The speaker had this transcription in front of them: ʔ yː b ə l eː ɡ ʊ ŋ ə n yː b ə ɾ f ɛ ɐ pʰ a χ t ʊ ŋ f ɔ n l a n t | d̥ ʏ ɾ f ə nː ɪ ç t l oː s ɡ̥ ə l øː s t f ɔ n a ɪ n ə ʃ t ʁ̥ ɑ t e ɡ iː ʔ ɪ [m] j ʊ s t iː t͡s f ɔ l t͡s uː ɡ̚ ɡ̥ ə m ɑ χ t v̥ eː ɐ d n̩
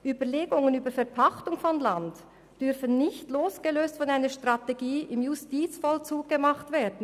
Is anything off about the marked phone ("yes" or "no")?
no